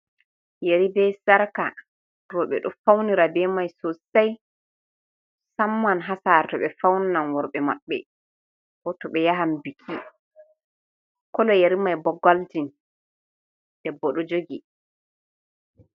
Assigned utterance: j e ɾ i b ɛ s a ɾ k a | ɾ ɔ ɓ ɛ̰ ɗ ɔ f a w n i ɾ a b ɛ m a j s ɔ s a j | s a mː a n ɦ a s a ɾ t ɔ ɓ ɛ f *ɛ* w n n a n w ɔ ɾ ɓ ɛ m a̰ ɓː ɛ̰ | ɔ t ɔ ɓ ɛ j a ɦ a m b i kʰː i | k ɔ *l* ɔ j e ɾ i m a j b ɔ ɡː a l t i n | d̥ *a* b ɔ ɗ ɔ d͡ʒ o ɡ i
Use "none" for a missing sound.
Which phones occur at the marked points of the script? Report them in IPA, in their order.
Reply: a, l, ɛ

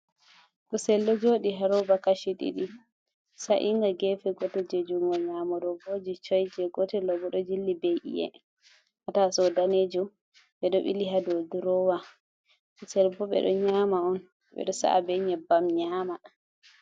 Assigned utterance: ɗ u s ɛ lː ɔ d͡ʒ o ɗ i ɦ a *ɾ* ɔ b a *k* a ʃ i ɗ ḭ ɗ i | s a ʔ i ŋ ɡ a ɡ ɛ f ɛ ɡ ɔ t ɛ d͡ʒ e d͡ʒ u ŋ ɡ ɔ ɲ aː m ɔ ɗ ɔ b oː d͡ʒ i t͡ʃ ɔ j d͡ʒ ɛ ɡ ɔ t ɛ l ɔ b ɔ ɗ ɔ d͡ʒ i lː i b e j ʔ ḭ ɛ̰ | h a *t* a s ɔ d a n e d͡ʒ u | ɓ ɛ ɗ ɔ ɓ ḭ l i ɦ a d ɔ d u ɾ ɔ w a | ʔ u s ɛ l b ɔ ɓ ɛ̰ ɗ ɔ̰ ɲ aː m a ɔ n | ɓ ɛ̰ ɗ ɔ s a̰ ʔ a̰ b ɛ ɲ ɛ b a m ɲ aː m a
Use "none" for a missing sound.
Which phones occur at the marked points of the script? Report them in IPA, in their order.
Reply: ɾ, k, t

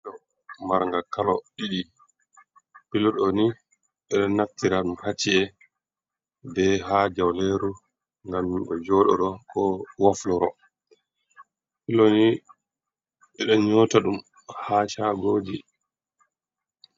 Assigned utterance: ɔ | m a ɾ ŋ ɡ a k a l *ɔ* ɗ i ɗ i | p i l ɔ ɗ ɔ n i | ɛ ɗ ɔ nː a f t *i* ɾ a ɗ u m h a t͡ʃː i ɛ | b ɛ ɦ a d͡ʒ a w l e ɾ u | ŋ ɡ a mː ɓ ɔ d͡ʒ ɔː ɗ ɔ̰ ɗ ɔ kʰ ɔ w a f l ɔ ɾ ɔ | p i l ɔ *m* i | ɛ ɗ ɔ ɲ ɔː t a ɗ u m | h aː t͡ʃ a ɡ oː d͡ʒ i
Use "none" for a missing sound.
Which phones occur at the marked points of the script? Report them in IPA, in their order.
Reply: ɔ, i, n

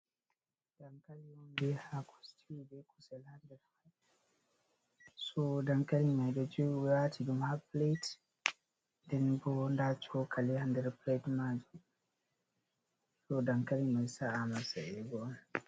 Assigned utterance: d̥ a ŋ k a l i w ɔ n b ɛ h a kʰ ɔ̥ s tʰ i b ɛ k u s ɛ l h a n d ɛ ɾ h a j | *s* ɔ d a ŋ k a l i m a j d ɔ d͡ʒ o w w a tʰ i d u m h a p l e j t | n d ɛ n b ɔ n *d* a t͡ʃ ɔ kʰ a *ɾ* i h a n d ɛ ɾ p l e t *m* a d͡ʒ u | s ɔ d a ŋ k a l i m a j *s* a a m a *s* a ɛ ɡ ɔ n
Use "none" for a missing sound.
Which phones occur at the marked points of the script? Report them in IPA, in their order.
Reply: s, d, l, m, s, s

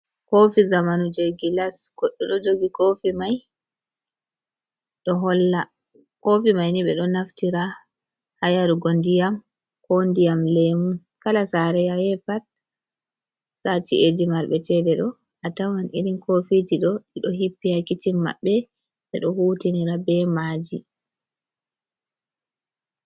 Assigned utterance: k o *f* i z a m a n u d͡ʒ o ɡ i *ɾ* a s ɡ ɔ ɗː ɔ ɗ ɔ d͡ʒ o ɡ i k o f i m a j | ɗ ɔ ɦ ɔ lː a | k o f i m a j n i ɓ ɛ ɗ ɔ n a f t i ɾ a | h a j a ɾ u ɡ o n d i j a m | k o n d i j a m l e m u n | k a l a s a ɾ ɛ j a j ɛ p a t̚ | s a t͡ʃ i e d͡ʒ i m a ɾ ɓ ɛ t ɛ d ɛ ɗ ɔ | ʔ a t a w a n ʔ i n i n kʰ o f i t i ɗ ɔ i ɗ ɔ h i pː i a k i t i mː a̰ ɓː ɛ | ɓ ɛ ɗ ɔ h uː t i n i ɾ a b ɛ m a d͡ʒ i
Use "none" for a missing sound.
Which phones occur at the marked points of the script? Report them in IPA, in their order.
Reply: f, l

